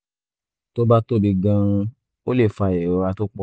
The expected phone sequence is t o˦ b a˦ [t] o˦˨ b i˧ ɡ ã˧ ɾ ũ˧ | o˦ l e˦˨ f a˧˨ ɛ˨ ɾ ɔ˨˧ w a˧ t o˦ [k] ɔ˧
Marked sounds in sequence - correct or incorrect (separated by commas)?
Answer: correct, incorrect